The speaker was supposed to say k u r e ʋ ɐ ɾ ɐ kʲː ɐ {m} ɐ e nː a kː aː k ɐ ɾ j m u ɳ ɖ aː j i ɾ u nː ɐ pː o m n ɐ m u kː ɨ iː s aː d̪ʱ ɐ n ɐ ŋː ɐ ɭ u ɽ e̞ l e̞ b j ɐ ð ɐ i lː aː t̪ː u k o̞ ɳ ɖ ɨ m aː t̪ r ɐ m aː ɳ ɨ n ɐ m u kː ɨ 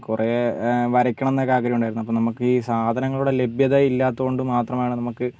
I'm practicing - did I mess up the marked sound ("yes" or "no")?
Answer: yes